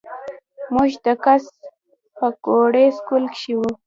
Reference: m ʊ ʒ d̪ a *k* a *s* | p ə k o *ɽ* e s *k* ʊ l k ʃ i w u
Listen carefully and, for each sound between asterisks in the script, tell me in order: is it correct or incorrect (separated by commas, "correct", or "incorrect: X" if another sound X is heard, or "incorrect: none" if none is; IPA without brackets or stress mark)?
correct, correct, correct, correct